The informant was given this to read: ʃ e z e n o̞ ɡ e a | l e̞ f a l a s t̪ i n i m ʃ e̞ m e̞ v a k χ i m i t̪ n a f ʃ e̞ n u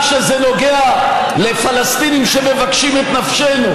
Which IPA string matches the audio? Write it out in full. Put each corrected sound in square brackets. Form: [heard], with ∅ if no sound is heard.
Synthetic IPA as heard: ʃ e z e n o̞ ɡ e a | l e̞ f a l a s t̪ i n i m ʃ e̞ m e̞ v a k [ʃ] i m [e] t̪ n a f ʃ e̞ n u